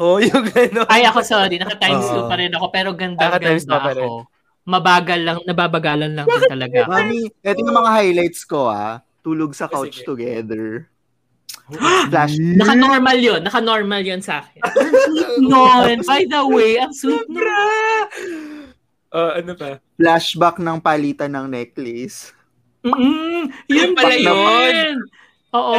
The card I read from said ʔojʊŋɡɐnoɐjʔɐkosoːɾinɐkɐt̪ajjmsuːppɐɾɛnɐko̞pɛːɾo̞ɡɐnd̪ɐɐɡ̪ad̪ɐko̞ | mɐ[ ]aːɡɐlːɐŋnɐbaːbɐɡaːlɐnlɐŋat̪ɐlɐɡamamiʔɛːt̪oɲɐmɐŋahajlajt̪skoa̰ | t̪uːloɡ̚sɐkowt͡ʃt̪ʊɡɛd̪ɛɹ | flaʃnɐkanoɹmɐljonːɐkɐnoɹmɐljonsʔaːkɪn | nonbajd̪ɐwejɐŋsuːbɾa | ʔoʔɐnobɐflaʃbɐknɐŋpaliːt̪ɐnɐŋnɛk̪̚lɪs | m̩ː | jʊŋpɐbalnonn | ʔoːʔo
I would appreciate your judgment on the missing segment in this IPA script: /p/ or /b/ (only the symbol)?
b